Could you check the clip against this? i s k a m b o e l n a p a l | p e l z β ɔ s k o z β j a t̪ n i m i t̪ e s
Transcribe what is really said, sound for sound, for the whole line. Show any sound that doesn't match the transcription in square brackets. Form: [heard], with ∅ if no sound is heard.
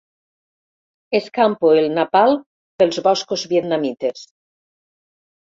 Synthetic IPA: [e] s k a m [p] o e l n a p a l | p e l z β ɔ s k o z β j [e] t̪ n [a] m i t̪ e s